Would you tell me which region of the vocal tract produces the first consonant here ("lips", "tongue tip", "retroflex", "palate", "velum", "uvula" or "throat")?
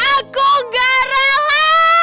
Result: velum